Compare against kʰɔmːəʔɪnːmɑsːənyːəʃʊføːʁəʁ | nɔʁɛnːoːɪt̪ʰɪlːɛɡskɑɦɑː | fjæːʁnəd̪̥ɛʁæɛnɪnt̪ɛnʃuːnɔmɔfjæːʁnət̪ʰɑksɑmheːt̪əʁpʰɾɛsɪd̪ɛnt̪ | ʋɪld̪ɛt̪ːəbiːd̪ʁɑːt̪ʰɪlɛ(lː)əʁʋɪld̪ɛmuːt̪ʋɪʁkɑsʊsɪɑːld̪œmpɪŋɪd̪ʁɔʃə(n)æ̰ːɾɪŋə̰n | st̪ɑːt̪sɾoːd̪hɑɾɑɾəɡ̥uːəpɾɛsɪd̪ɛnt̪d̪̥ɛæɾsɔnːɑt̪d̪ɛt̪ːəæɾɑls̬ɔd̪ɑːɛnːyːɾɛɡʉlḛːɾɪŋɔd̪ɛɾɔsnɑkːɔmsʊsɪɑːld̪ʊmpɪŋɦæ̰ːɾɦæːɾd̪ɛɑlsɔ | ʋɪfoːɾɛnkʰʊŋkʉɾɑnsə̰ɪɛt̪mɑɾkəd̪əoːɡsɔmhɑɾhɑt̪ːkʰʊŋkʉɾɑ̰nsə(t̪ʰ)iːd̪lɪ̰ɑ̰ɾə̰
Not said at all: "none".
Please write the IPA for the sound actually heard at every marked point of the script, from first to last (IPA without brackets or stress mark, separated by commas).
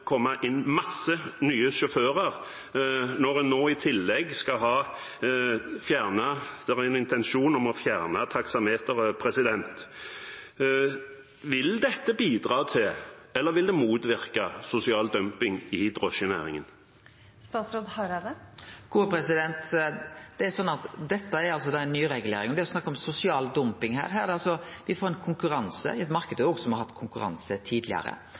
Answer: lː, n, t̪ʰ